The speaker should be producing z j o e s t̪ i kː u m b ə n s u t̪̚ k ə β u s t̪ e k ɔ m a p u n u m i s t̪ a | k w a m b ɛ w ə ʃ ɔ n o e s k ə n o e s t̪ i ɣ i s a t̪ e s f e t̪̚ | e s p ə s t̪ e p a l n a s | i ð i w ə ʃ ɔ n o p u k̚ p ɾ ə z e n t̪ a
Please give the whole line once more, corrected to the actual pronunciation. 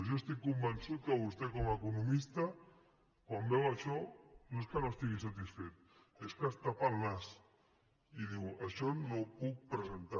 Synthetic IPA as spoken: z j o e s t̪ i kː u m b ə n s u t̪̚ k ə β u s t̪ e k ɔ m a k u n u m i s t̪ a | k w a m b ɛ w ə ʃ ɔ n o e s k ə n o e s t̪ i ɣ i s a t̪ i s f e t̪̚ | e s k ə s t̪ a p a l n a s | i ð i w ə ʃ ɔ n o p u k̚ p ɾ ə z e n t̪ a

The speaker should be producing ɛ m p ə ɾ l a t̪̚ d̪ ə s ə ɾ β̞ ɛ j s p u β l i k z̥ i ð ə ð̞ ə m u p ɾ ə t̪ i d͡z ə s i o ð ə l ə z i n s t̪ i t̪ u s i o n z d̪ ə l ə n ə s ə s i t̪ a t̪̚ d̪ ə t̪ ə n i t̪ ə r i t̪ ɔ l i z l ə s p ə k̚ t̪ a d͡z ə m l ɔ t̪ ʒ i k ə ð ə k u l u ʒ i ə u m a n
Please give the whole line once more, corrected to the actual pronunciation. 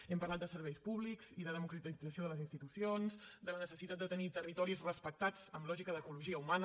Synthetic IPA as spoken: ɛ m p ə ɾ l a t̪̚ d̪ ə s ə ɾ β̞ ɛ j s p u β l i k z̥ i ð ə ð̞ ə m u k ɾ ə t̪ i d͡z ə s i o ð ə l ə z i n s t̪ i t̪ u s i o n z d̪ ə l ə n ə s ə s i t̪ a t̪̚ d̪ ə t̪ ə n i t̪ ə r i t̪ ɔ ɾ i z r ə s p ə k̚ t̪ a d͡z ə m l ɔ ʒ i k ə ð ə k u l u ʒ i ə u m a n

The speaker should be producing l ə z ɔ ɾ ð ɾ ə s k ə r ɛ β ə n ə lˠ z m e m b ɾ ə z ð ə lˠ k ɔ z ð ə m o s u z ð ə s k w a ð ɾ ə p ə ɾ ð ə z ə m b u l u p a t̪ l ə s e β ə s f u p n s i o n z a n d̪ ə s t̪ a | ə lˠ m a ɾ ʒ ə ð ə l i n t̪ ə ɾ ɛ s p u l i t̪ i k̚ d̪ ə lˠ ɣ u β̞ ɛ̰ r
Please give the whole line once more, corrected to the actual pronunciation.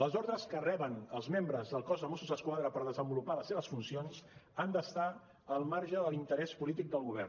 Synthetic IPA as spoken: l ə z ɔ ɾ ð ɾ ə s k ə r ɛ β ə n ə lˠ z m e m b ɾ ə z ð ə lˠ k ɔ z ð ə m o s u z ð ə s k w a ð ɾ ə p ə ɾ ð ə z ə m b u l u p a l ə s e β ə s f u n s i o n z a n d̪ ə s t̪ a | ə lˠ m a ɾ ʒ ə ð ə l i n t̪ ə ɾ ɛ s p u l i t̪ i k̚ d̪ ə lˠ ɣ u β̞ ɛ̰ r

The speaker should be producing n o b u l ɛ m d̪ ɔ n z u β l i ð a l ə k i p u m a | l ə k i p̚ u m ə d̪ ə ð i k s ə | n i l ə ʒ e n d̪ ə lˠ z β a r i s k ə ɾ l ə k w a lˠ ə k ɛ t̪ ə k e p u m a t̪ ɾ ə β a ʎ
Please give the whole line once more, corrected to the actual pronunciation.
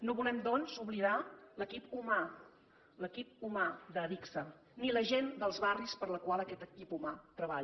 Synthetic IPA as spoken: n o β u l ɛ m d̪ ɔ n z u β l i ð a l ə k i p u m a | l ə k i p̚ u m a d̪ ə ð i k s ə | n i l ə ʒ e n d̪ ə lˠ z β a r i s p ə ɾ l ə k w a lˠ ə k ɛ t̪ ə k i p u m a t̪ ɾ ə β a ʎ

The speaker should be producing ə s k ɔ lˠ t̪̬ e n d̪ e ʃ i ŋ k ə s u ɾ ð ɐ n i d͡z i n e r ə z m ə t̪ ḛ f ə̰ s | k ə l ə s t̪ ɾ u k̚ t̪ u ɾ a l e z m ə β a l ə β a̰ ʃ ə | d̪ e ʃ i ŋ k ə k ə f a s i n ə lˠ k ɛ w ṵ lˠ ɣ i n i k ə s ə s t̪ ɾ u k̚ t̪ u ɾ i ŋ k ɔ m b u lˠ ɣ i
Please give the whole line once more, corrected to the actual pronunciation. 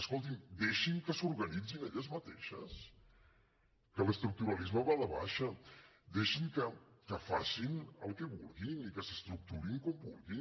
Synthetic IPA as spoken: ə s k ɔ lˠ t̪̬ i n d̪ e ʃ i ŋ k ə s u ɾ ɣ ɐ n i d͡z i n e ʎ ə z m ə t̪ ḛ ʃ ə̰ s | k ə l ə s t̪ ɾ u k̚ t̪ u ɾ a l i z m ə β a l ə β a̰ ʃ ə | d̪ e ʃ i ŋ k ə k ə f a s i n ə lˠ k ɛ β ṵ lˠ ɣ i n i k ə s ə s t̪ ɾ u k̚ t̪ u ɾ i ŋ k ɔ m b u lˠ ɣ i

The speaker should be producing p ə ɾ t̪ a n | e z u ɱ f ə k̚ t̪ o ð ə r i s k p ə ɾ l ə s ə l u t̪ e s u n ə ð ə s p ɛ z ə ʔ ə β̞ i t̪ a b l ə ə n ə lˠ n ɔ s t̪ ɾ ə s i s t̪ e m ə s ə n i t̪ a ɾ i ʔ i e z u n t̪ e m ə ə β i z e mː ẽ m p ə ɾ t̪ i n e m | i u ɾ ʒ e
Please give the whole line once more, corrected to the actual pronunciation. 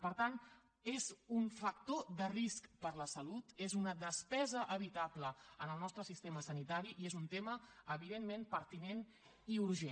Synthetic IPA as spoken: p ə ɾ t̪ a n | e z u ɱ f ə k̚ t̪ o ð ə r i s k p ə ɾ l ə s ə l u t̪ e z u n ə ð ə s p ɛ z ə ʔ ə β̞ i t̪ a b l ə ə n ə lˠ n ɔ s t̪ ɾ ə s i s t̪ e m ə s ə n i t̪ a ɾ i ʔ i e z u n t̪ e m ə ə β i ð e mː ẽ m p ə ɾ t̪ i n e n | i u ɾ ʒ e

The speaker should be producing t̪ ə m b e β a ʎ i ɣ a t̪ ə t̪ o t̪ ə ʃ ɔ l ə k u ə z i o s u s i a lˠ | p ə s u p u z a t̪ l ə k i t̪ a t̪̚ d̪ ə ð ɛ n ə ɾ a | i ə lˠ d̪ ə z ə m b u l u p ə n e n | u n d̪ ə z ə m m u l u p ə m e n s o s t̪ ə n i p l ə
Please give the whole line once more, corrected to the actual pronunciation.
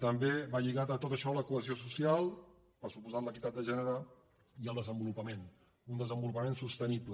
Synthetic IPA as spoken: t̪ ə m b e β a ʎ i ɣ a t̪ ə t̪ o t̪ ə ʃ ɔ l ə k u ə z i o s u s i a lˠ | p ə s u p u z a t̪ l ə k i t̪ a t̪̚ d̪ ə ʒ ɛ n ə ɾ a | i ə lˠ d̪ ə z ə m b u l u p ə m e n | u n d̪ ə z ə m b u l u p ə m e n s u s t̪ ə n i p l ə

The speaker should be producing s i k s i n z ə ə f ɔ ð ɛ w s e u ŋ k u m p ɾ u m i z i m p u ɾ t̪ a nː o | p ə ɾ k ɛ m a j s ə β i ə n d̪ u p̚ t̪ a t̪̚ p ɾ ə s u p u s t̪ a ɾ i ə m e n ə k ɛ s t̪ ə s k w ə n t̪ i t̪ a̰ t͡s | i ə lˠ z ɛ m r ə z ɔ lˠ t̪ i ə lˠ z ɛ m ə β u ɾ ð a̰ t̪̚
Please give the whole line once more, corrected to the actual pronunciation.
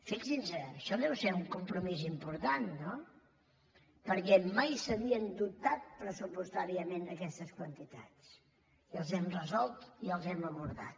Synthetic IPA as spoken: f i k s i n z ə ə ʃ ɔ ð ɛ w s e u ŋ k u m p ɾ u m i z i m p u ɾ t̪ a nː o | p ə ɾ k ɛ m a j s ə β i ə n d̪ u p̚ t̪ a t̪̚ p ɾ ə s u p u s t̪ a ɾ i ə m e n ə k ɛ s t̪ ə s k w ə n t̪ i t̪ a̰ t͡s | i ə lˠ z ɛ m r ə z ɔ lˠ t̪ i ə lˠ z ɛ m ə β u ɾ ð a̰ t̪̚

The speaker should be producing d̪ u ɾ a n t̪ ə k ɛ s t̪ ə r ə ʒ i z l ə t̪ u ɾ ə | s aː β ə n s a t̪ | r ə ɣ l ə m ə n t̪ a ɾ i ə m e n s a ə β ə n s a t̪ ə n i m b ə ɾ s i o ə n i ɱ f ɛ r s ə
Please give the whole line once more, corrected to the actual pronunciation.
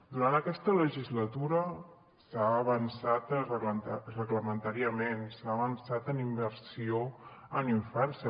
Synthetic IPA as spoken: d̪ u ɾ a n t̪ ə k ɛ s t̪ ə l ə ʒ i z l ə t̪ u ɾ ə | s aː β ə n s a t̪ | r ə ɣ l ə m ə n t̪ a ɾ i ə m e n s a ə β ə n s a t̪ ə n i m b ə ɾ s i o ə n i ɱ f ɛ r s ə

